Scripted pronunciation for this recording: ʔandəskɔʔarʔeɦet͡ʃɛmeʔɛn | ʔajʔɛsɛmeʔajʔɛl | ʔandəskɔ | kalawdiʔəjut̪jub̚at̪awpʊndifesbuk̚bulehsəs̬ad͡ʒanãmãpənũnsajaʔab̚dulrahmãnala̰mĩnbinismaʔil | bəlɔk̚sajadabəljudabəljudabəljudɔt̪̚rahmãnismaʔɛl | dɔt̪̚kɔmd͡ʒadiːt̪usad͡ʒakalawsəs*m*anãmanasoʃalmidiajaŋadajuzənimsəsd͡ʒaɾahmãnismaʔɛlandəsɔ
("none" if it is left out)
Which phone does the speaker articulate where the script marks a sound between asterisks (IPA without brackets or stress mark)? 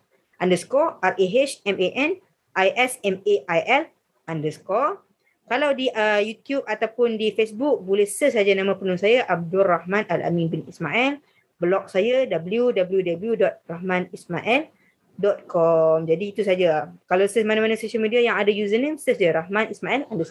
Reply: m